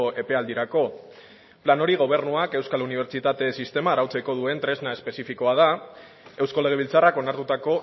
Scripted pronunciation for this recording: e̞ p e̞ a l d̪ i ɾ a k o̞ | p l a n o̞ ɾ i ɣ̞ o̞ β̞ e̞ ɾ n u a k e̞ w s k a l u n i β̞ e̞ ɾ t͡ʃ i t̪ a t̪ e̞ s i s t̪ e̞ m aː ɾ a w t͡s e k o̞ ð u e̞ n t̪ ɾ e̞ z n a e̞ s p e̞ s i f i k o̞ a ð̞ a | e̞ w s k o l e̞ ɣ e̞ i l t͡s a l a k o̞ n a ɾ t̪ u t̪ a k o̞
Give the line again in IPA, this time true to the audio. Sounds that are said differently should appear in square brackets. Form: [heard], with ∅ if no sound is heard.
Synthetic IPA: e̞ p e̞ a l d̪ i ɾ a k o̞ | p l a n o̞ ɾ i ɣ̞ o̞ β̞ e̞ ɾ n u a k e̞ w s k a l u n i β̞ e̞ ɾ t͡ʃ i t̪ a t̪ e̞ s i s t̪ e̞ m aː ɾ a w t͡s e k o̞ ð u e̞ n t̪ ɾ e̞ z n a e̞ s p e̞ s i f i k o̞ a ð̞ a | e̞ w s k o l e̞ ɣ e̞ i l t͡s a [r] a k o̞ n a ɾ t̪ u t̪ a k o̞